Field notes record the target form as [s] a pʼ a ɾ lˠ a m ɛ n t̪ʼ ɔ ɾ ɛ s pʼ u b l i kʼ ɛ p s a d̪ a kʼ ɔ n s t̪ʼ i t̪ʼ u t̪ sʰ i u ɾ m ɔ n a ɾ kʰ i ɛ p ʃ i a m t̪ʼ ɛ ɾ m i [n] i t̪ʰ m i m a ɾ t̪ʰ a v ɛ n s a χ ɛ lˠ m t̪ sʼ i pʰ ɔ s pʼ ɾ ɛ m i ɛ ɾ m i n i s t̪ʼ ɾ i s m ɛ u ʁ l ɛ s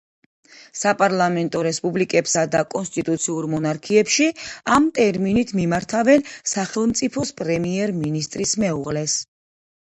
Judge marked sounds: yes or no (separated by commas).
yes, yes